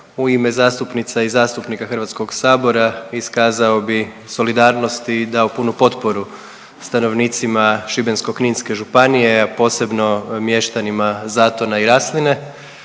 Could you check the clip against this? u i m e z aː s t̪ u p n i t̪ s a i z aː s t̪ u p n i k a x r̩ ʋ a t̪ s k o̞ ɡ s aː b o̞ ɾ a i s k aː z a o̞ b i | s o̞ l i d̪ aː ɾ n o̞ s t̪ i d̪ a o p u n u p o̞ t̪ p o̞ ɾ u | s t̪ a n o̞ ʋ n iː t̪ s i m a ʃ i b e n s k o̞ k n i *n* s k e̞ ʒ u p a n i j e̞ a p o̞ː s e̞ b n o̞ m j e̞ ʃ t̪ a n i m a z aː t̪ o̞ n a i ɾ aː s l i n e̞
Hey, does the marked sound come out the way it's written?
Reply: yes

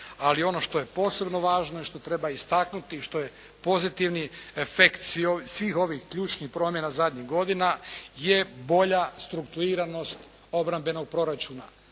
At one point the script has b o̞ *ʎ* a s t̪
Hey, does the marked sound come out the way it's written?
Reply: yes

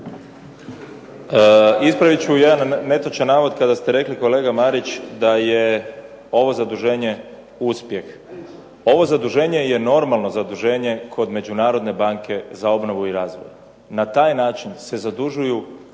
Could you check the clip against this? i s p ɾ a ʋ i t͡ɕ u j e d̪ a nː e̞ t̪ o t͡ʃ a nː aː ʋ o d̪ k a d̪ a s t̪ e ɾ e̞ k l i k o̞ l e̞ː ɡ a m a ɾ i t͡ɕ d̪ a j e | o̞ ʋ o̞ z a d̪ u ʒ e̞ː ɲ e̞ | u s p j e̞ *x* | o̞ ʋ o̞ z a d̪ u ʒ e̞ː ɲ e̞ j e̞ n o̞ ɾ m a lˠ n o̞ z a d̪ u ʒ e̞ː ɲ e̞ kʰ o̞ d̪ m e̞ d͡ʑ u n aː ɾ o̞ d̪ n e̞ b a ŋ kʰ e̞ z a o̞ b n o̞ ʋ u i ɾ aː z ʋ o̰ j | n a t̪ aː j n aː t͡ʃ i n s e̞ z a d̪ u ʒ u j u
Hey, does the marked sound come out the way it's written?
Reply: yes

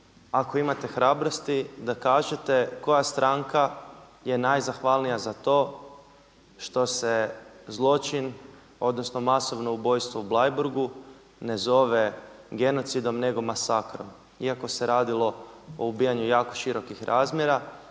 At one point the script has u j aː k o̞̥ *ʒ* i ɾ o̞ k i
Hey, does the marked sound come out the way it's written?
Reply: no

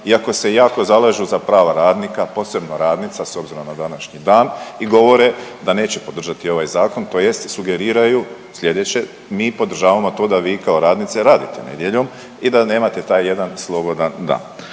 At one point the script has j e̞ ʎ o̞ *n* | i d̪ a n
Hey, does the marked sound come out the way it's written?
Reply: no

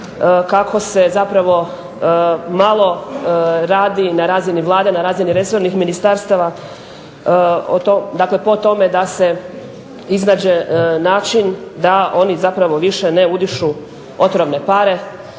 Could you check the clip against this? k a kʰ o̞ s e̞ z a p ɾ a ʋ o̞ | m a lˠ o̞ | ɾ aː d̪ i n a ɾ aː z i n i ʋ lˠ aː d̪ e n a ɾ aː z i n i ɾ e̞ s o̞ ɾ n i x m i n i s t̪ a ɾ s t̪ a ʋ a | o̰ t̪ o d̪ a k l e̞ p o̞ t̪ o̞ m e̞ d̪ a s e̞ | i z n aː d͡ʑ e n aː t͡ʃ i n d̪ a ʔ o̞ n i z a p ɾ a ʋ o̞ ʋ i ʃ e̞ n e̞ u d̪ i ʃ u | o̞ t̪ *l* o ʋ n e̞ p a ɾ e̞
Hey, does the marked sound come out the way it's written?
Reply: no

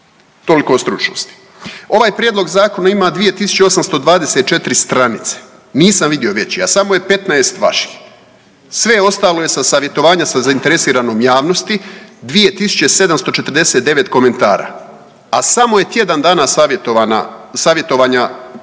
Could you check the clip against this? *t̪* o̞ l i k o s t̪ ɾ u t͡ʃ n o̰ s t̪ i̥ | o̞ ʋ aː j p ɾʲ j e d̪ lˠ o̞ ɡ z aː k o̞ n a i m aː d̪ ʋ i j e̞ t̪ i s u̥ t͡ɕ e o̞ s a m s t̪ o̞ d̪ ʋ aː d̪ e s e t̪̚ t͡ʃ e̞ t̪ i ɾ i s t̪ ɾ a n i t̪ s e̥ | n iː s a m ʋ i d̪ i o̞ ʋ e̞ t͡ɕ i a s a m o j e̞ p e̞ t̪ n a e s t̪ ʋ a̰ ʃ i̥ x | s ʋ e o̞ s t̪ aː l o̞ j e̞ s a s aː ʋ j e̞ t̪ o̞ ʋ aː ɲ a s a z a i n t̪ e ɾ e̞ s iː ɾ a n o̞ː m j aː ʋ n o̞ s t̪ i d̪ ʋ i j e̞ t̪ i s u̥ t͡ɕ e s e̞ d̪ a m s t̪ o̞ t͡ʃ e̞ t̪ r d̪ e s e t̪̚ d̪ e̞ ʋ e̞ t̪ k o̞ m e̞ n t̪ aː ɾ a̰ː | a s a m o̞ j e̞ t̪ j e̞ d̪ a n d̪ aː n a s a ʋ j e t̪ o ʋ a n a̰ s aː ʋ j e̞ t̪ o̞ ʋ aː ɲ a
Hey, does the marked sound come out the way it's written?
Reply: yes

